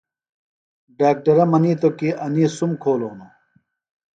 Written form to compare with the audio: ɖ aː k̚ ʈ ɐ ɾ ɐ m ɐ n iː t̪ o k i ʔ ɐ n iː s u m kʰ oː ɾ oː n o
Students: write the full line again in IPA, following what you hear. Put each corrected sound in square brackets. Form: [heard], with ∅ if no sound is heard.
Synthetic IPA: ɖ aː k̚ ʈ ɐ ɾ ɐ m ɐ n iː t̪ o k i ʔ ɐ n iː s u m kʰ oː [l] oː n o